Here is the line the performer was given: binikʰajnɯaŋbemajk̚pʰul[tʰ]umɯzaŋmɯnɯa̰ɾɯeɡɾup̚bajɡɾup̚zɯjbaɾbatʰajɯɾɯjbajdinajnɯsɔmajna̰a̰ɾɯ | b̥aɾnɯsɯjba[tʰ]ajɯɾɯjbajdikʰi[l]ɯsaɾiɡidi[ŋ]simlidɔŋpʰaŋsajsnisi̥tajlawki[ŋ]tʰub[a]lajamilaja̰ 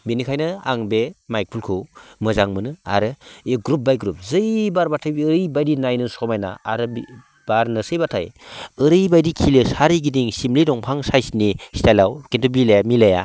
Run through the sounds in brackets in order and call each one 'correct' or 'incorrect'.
incorrect: kʰ, correct, correct, correct, incorrect: n, incorrect: i

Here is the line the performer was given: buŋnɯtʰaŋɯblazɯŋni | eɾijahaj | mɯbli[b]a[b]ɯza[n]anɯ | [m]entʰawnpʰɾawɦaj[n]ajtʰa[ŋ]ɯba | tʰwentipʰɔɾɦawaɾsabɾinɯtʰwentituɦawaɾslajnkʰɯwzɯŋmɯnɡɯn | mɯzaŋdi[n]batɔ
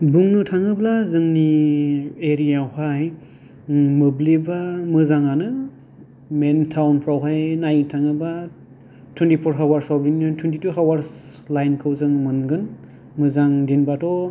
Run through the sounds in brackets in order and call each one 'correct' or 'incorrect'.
correct, incorrect: m, incorrect: ŋ, correct, correct, correct, correct

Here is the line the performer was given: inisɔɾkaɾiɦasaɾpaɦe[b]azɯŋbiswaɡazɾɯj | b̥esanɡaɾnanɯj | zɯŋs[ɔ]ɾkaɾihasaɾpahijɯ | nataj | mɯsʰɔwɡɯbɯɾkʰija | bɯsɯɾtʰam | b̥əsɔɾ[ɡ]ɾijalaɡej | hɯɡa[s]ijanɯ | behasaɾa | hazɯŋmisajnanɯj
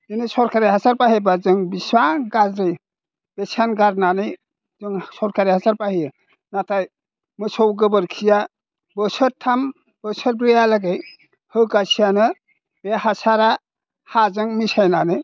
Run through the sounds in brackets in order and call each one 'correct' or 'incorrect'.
correct, correct, incorrect: b, correct

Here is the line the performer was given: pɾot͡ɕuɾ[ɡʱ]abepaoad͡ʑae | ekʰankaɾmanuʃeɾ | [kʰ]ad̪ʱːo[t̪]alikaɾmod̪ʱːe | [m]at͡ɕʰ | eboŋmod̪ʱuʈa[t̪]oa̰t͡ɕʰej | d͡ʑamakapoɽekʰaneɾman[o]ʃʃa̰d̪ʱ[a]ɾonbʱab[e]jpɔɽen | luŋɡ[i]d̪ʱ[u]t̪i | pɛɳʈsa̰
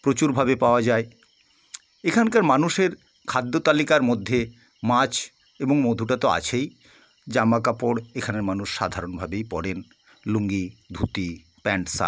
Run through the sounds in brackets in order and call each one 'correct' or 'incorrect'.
incorrect: bʱ, correct, correct, correct, correct, incorrect: u, correct, correct, correct, correct

